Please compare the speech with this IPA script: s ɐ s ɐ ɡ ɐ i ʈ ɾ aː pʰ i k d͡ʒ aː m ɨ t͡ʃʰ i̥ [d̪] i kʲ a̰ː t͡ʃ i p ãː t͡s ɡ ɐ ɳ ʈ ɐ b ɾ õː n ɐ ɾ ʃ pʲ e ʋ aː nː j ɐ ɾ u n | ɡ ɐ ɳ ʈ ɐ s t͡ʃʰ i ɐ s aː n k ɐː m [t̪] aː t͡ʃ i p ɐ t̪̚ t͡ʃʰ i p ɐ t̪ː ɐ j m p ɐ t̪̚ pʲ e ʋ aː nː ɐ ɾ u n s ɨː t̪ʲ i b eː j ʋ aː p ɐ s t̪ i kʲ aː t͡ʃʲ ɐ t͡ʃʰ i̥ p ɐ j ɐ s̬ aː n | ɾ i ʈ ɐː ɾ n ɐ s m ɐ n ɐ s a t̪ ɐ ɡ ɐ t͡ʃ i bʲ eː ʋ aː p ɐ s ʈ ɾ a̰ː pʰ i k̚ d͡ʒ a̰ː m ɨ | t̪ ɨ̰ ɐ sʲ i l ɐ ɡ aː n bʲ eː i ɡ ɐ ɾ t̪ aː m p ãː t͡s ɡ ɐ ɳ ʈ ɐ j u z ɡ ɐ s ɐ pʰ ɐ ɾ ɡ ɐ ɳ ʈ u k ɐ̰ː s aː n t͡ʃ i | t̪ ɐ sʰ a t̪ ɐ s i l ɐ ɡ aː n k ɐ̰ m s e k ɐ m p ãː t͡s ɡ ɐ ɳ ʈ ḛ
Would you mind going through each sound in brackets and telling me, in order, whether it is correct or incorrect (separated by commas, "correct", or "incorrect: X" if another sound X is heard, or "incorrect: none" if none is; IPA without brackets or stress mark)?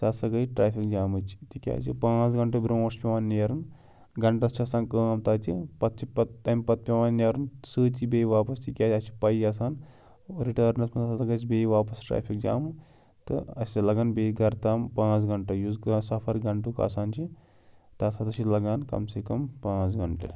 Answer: incorrect: t̪, correct